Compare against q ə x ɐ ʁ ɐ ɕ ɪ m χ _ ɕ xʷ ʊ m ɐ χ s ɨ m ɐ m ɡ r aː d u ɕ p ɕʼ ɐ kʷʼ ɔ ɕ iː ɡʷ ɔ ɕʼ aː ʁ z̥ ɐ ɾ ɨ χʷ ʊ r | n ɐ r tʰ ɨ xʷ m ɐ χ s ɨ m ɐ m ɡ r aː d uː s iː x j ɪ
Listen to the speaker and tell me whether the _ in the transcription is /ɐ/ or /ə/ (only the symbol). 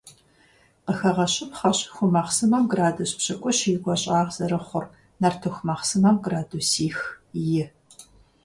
ɐ